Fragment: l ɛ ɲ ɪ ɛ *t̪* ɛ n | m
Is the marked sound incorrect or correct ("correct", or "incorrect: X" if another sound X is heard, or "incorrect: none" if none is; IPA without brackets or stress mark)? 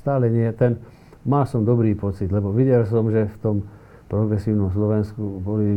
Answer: correct